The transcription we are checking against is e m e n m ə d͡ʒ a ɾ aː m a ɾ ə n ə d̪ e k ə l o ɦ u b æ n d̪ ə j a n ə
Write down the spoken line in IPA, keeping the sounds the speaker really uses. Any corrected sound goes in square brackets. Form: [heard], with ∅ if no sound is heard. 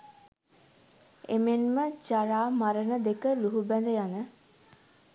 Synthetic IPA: e m e n m ə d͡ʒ a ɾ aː m a ɾ ə n ə d̪ e k ə l [u] ɦ u b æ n d̪ ə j a n ə